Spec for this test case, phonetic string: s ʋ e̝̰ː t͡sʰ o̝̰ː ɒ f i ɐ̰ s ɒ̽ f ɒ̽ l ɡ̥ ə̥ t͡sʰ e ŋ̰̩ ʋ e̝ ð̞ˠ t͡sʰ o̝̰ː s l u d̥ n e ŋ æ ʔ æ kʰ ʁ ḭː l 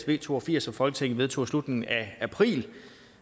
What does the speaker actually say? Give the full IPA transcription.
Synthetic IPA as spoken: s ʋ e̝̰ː t͡sʰ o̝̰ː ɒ f i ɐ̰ s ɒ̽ f ɒ̽ l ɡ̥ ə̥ t͡sʰ e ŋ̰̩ ʋ e̝ ð̞ˠ t͡sʰ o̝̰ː s l u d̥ n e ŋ æ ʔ æ pʰ ʁ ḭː l